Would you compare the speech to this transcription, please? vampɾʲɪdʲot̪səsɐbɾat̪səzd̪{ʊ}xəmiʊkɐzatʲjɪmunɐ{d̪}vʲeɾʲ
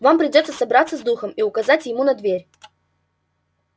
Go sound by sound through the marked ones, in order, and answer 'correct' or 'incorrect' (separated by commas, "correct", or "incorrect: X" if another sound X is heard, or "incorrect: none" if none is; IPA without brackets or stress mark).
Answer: incorrect: u, correct